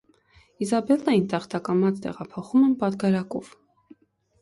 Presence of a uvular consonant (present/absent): present